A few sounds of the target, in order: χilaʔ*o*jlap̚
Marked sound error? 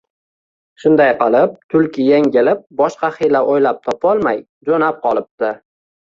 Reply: no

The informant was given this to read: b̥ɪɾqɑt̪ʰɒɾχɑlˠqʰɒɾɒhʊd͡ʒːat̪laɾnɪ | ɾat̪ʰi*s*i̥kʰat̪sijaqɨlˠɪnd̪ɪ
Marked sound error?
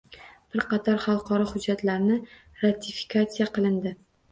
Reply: yes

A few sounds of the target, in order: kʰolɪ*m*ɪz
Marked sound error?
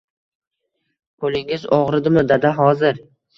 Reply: yes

